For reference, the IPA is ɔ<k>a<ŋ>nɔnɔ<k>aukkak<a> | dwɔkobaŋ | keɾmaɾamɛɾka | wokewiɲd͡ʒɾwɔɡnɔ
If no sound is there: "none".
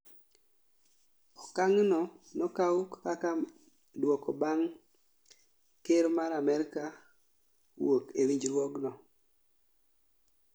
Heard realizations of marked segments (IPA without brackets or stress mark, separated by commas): k, ŋ, k, a